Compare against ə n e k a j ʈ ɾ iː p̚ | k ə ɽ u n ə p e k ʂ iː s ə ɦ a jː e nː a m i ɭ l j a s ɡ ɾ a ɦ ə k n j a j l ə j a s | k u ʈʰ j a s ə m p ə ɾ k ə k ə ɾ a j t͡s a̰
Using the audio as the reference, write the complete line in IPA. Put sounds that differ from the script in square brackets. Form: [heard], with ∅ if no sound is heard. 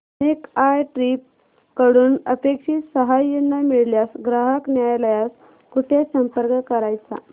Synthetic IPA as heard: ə n e k a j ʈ ɾ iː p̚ | k ə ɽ [uː] n ə p e k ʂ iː s ə ɦ a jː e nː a m i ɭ l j a s ɡ ɾ a ɦ ə k n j a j l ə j a s | k u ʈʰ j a s ə m p ə ɾ k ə k ə ɾ a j t͡s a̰